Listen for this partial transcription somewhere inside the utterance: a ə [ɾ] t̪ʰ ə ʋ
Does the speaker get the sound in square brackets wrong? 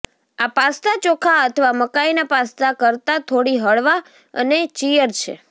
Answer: yes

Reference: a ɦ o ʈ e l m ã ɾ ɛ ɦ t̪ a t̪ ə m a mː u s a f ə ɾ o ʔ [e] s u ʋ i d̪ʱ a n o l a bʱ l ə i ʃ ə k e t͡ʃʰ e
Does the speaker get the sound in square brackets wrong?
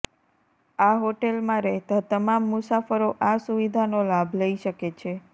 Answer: yes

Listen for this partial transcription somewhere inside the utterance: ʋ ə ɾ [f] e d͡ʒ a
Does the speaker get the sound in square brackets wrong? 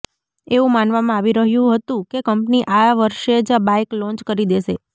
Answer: yes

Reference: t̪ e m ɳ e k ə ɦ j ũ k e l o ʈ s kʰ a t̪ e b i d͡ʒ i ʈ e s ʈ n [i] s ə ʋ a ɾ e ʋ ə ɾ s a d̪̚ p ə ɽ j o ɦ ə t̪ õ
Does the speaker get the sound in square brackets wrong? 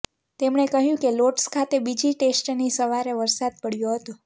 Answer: no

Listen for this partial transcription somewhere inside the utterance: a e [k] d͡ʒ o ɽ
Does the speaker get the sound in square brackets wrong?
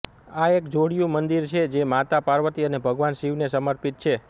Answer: no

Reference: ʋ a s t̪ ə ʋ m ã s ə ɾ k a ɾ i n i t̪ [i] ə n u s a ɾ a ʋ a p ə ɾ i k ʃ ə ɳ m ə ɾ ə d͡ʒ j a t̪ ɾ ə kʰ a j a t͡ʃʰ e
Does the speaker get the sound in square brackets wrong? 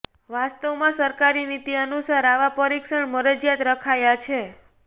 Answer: no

